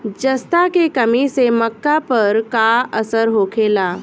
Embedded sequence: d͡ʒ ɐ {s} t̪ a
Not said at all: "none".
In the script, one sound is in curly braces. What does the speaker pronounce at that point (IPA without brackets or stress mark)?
s